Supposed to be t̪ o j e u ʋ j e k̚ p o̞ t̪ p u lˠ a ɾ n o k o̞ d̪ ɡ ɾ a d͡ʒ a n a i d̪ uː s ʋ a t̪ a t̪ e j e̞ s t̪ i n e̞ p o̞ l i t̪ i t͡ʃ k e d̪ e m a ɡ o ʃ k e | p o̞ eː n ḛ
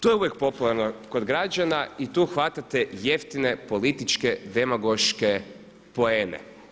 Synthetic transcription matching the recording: t̪ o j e u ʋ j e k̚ p o̞ p u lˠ a ɾ n o k o̞ d̪ ɡ ɾ a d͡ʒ a n a i t̪ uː x ʋ a t̪ a t̪ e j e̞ f t̪ i n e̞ p o̞ l i t̪ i t͡ʃ k e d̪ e m a ɡ o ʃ k e | p o̞ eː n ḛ